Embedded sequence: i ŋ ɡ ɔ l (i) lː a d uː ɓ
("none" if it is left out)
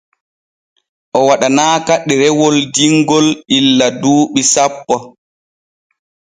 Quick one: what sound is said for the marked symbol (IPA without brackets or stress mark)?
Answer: i